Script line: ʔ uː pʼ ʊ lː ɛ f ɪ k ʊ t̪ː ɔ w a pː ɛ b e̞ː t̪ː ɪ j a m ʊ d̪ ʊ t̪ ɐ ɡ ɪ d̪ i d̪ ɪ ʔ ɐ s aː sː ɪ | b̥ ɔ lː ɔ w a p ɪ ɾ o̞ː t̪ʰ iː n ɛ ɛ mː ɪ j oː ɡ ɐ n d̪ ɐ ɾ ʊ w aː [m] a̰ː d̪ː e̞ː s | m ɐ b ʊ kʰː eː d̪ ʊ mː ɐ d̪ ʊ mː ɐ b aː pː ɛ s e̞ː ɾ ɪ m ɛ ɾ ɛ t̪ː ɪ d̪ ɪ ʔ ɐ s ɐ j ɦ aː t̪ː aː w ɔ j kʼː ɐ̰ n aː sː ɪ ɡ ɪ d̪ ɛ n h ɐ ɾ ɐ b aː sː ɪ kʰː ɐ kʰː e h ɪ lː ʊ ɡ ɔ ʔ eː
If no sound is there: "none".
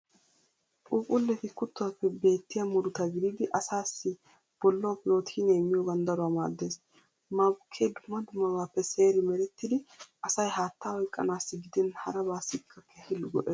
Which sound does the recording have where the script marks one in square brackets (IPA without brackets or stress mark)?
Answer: m